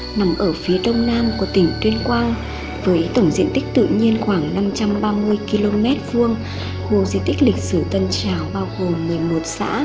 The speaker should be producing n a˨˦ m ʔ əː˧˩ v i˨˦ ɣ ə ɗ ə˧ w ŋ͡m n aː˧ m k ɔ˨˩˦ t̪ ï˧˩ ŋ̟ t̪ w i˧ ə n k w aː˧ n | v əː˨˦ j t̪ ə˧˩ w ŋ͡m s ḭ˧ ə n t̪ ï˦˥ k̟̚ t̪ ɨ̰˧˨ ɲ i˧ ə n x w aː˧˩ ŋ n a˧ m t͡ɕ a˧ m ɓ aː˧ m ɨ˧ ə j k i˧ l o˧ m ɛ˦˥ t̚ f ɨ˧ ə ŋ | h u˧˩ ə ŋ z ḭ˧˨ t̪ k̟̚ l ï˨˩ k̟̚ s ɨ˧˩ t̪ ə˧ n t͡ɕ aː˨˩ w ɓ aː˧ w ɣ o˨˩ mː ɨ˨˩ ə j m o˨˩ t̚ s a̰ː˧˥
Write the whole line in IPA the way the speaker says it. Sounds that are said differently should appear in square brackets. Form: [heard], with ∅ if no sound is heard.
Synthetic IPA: n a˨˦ m ʔ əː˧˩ [f] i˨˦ [∅] ə ɗ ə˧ w ŋ͡m n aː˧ m k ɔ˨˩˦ t̪ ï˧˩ ŋ̟ t̪ w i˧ ə n k w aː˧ n | v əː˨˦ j t̪ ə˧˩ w ŋ͡m [z] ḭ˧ ə n t̪ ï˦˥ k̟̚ t̪ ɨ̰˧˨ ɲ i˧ ə n x w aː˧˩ ŋ n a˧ m t͡ɕ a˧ m ɓ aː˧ m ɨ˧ ə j k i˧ l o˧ m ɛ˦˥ t̚ [v] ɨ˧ ə ŋ | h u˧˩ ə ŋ z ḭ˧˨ t̪ k̟̚ l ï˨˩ k̟̚ s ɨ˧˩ t̪ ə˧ n t͡ɕ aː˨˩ w ɓ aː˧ w ɣ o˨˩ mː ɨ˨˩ ə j m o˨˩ t̚ s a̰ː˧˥